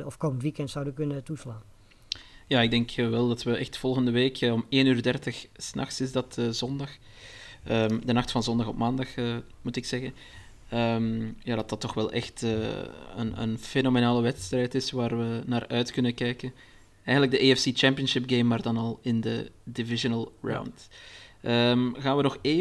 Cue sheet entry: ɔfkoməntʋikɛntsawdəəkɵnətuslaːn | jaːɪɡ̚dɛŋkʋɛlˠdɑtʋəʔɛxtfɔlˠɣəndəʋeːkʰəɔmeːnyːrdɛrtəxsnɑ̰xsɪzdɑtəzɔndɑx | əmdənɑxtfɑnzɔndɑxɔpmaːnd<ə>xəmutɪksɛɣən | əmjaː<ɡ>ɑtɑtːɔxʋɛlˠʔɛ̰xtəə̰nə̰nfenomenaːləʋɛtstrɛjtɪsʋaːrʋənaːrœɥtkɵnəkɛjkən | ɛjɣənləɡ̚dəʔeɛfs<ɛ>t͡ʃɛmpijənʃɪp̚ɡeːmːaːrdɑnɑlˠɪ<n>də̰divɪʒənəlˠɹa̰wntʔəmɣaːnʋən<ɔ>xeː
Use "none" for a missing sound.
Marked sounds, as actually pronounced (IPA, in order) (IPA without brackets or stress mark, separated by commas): ɑ, d, i, n, ɔ